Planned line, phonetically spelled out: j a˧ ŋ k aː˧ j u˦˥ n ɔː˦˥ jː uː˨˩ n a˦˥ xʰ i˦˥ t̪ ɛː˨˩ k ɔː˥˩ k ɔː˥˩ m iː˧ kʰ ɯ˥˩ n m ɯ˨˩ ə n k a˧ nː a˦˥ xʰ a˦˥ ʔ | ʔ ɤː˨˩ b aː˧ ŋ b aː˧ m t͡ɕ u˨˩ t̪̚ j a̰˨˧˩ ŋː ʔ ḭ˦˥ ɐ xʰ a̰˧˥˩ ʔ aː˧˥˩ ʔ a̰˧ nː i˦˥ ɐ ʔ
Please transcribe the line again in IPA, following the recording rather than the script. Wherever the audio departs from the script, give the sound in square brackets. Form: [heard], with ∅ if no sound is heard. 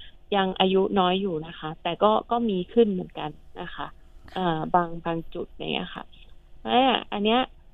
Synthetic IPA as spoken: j a˧ ŋ [ʔ] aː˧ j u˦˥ n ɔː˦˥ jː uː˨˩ n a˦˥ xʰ [a˦˥] t̪ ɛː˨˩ k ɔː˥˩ k ɔː˥˩ m iː˧ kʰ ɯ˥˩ n m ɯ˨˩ ə n k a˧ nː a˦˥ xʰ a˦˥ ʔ | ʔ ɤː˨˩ b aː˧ ŋ b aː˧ [ŋ] t͡ɕ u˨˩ t̪̚ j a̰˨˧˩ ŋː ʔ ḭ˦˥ ɐ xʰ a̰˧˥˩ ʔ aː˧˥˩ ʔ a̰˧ nː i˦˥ ɐ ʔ